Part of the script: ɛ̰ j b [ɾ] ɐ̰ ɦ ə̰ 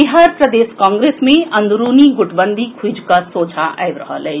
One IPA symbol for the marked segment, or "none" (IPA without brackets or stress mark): ɾ